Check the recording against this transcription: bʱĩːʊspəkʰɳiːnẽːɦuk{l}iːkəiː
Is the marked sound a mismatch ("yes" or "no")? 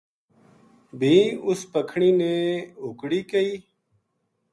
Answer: yes